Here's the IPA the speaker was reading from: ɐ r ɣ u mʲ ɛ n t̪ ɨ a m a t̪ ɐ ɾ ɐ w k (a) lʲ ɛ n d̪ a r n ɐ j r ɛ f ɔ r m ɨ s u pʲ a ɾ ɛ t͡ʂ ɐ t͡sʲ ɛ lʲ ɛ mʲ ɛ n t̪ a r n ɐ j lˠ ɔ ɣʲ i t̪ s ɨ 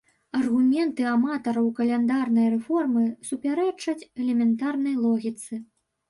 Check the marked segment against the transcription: incorrect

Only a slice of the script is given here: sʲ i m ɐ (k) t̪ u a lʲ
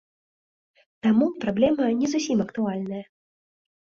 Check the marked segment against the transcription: correct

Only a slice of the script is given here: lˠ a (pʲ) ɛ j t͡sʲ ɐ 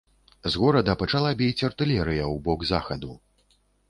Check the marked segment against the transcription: incorrect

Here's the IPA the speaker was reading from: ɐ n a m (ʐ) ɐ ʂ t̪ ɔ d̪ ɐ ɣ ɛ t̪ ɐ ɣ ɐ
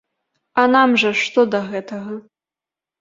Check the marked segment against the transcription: correct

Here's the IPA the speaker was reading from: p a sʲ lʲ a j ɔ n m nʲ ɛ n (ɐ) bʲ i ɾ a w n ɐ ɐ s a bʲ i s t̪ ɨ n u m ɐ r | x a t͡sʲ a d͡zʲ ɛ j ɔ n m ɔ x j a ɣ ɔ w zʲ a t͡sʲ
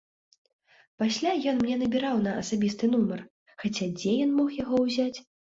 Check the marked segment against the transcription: correct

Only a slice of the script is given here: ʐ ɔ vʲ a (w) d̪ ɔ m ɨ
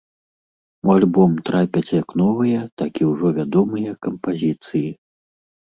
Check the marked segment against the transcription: incorrect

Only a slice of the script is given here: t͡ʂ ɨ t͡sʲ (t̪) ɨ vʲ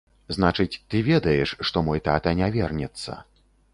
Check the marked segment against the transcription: correct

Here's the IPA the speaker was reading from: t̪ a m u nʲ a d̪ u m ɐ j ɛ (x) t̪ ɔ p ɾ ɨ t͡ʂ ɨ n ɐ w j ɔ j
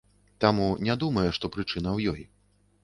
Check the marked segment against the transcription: incorrect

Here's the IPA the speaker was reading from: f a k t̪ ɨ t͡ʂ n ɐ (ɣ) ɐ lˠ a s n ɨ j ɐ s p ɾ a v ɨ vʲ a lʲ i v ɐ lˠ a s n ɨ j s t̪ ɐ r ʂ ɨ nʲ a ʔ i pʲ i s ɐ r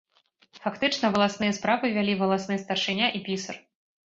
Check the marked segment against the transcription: incorrect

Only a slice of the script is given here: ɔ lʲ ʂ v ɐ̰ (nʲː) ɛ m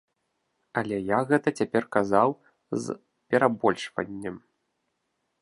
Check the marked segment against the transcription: correct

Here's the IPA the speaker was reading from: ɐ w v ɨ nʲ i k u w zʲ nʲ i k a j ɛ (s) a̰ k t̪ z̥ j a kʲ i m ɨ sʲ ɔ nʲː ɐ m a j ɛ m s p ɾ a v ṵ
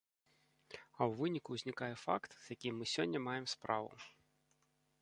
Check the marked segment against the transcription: incorrect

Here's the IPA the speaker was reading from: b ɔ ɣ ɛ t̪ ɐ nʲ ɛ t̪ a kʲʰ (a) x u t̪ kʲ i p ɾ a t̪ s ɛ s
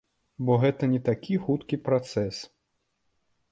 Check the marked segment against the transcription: incorrect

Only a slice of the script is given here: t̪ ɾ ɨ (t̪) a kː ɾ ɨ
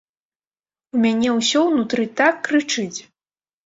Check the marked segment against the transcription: correct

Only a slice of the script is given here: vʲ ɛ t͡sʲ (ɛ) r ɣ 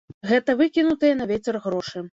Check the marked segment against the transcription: correct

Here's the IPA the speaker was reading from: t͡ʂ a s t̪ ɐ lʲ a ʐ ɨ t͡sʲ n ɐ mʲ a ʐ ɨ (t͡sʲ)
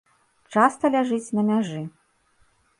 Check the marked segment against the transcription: incorrect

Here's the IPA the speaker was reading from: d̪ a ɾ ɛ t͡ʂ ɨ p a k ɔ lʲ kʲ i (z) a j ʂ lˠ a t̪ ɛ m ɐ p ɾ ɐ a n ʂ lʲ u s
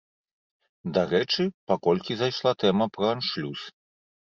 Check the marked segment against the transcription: correct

